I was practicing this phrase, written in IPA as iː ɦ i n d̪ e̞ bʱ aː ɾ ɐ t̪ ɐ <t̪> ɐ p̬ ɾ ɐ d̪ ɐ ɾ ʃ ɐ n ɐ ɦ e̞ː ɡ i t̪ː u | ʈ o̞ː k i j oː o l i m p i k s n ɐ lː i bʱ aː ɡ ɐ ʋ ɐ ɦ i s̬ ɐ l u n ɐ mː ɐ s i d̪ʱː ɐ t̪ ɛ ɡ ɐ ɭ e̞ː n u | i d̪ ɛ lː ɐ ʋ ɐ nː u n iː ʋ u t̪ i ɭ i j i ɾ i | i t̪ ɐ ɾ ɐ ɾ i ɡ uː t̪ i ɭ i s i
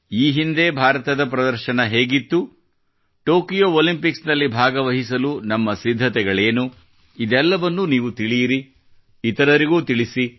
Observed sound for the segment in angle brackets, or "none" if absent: d̪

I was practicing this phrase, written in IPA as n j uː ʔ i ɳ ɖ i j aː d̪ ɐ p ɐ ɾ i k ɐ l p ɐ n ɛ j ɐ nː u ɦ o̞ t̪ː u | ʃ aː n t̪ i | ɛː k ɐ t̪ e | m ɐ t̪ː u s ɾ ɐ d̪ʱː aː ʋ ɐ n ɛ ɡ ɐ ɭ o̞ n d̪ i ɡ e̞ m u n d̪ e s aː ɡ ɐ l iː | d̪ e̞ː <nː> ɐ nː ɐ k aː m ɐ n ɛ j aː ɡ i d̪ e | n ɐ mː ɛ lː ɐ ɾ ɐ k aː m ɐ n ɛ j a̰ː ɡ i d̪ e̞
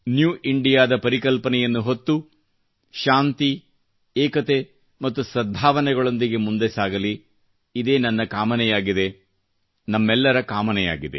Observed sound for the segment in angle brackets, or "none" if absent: n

